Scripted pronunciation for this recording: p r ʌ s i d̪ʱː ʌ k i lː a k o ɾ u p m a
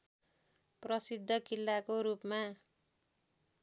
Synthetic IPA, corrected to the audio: p r ʌ s i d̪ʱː ʌ k i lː a k o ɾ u p m a